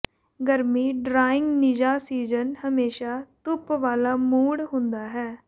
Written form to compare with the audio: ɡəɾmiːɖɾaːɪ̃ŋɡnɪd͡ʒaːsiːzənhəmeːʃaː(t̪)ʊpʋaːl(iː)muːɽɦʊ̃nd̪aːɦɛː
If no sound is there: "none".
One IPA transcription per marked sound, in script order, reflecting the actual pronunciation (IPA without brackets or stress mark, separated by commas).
t̪, aː